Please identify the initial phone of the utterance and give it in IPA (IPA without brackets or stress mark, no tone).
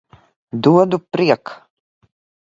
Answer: d̪